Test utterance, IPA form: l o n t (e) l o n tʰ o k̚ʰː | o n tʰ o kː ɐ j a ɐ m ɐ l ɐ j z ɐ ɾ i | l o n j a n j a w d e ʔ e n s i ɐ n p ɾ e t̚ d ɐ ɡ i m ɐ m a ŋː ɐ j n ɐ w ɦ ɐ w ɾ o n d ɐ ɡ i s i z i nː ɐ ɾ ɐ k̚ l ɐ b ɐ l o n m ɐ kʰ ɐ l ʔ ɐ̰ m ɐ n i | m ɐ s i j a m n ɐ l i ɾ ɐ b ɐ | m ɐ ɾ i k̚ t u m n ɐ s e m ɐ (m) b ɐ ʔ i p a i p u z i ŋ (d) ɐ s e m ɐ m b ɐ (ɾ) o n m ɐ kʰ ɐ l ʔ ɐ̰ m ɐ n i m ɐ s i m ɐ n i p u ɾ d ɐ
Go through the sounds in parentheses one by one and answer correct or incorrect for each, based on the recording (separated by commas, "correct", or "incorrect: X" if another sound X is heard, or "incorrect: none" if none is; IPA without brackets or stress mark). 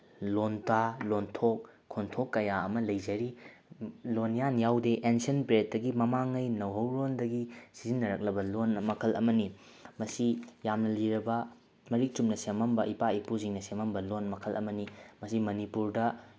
incorrect: a, correct, incorrect: n, incorrect: l